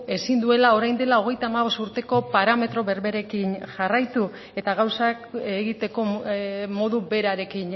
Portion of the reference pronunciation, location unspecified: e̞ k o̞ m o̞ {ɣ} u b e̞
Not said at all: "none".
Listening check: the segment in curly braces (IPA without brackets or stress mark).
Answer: ð